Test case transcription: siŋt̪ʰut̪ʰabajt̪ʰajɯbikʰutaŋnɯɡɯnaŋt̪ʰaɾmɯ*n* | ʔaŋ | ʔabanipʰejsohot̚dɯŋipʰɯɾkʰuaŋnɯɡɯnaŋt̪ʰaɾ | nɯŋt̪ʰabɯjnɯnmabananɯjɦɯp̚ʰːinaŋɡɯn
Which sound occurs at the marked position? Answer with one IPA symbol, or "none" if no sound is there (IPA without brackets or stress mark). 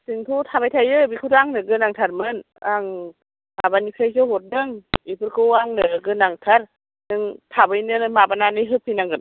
n